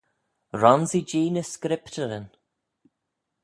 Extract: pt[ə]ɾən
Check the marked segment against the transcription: correct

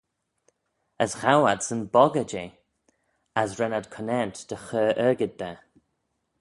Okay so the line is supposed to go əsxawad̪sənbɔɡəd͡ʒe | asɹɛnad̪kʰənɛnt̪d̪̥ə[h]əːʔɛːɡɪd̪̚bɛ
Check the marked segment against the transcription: incorrect: x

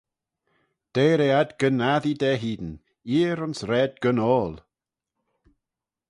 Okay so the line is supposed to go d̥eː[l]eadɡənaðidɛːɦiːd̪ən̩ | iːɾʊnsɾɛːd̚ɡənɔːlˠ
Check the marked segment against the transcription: incorrect: ɾ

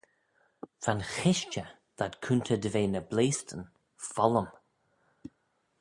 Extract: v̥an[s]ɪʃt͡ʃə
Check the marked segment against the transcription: incorrect: x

